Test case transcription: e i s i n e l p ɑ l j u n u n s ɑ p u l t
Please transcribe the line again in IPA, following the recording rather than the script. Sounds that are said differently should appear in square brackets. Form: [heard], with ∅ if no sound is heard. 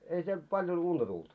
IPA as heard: e i s i [∅] e l p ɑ l j [o] n u n [t] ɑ [t] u l t